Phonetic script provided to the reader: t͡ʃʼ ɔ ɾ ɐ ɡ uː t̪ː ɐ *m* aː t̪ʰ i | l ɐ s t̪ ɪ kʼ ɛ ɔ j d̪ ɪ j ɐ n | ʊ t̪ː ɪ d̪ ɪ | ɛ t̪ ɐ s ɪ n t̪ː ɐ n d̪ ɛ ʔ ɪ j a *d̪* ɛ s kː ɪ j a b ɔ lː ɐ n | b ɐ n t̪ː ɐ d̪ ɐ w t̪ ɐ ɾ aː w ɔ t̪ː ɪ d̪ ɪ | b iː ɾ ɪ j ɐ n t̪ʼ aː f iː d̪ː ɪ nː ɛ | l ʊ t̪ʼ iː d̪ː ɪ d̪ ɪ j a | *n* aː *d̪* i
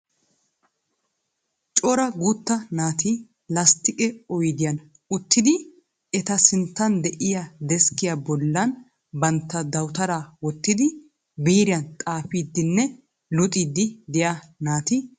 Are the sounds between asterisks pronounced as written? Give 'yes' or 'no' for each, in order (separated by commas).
no, yes, yes, no